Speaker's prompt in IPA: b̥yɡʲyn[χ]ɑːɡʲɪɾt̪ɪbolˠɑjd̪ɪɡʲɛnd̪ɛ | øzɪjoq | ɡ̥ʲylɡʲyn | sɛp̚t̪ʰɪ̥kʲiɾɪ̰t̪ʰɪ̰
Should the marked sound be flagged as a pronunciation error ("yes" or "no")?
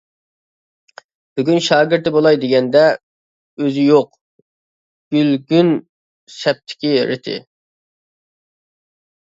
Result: yes